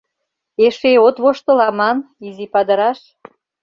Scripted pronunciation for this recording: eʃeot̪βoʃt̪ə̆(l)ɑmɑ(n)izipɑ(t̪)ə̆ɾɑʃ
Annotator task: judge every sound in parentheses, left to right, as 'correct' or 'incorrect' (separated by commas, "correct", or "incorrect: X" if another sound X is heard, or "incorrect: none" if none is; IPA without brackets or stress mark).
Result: correct, correct, incorrect: d̪